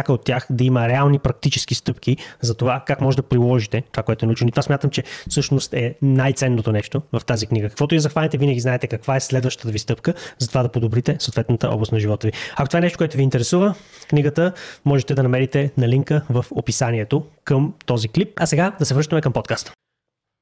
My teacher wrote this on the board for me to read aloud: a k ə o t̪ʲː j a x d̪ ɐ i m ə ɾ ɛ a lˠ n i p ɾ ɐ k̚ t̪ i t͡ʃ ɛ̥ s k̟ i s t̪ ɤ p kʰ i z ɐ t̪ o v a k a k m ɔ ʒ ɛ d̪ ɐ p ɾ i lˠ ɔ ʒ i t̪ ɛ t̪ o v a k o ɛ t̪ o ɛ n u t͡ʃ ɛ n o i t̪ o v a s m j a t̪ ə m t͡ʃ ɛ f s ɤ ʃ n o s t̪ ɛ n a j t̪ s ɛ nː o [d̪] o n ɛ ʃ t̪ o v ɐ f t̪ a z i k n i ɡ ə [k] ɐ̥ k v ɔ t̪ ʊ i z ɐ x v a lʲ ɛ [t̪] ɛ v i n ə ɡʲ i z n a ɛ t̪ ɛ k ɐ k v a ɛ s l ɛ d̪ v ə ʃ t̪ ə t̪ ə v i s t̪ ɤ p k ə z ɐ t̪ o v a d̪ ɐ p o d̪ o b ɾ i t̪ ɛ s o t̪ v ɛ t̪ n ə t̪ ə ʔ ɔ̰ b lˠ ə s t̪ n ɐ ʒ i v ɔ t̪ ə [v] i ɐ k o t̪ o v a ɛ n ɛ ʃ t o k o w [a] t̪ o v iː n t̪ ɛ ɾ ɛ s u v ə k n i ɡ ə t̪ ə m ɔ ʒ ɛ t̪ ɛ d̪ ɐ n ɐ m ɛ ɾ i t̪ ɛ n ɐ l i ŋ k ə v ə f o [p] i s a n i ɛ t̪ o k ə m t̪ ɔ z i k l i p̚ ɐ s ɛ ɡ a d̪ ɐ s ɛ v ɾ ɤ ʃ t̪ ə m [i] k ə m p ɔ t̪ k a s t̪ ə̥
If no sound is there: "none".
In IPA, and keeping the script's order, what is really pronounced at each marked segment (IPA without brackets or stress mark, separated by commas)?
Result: t̪, k, t̪, v, ɛ, p, ɛ